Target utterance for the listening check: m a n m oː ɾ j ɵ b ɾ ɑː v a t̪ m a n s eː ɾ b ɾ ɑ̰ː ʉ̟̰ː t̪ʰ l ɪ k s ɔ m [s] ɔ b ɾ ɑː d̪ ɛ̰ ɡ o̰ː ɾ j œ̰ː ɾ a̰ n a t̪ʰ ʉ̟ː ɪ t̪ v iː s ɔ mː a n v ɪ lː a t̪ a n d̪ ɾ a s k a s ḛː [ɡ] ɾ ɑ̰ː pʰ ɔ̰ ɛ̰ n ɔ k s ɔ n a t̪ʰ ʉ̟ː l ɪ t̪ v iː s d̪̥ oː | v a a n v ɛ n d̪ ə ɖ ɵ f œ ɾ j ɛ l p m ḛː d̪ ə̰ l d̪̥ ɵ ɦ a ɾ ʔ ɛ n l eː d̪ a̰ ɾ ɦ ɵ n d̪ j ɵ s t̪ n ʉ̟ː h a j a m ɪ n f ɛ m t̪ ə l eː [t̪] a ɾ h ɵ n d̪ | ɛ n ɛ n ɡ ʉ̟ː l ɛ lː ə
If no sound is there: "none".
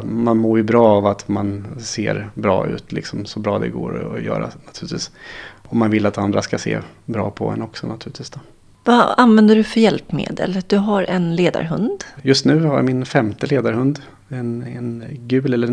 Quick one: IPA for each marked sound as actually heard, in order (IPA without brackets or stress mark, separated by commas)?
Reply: s, b, d̪